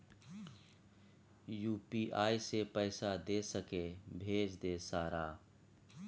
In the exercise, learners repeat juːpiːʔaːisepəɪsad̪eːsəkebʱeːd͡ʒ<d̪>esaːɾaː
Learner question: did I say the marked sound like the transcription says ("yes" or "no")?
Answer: yes